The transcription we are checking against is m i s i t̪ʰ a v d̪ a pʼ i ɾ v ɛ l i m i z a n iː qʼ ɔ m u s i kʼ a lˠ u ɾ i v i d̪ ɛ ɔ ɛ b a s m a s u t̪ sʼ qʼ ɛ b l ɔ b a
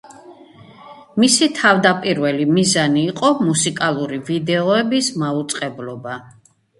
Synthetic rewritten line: m i s i t̪ʰ a v d̪ a pʼ i ɾ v ɛ l i m i z a n iː qʼ ɔ m u s i kʼ a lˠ u ɾ i v i d̪ ɛ ɔ ɛ b i s m a u t̪ sʼ qʼ ɛ b l ɔ b a